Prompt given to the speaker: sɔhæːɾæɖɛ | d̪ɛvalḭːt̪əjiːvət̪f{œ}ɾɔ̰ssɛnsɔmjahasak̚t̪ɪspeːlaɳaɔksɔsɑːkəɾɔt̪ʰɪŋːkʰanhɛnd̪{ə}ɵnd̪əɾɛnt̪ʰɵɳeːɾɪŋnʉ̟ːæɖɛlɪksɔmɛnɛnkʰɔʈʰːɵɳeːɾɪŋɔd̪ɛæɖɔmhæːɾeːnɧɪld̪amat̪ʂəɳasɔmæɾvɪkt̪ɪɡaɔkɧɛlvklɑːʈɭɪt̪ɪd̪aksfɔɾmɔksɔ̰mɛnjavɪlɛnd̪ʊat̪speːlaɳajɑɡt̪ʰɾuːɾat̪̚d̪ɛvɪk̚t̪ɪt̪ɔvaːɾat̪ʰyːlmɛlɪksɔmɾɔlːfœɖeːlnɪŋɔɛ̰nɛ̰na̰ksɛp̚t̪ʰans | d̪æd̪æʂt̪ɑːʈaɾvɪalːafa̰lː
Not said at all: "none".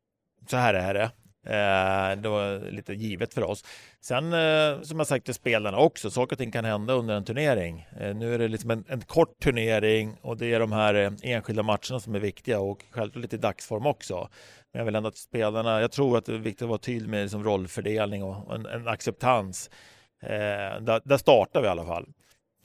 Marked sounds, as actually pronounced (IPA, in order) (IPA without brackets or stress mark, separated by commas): œ, a